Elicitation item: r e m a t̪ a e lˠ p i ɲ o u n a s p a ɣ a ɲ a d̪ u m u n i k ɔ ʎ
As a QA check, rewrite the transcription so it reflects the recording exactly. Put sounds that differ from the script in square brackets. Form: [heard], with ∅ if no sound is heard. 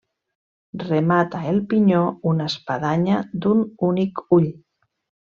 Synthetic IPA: r e m a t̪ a e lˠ p i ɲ o u n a s p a [ð] a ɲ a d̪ u [n] u n i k [u] ʎ